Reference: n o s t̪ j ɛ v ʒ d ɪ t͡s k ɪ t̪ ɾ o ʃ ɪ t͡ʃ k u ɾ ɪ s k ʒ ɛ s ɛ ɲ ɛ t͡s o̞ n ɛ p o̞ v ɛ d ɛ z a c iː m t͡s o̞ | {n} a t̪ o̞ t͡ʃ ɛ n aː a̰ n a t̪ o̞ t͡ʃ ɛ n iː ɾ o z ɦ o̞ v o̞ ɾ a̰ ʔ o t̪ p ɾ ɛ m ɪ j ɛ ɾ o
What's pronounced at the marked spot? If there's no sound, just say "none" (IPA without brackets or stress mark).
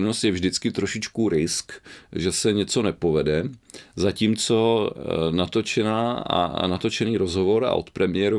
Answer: n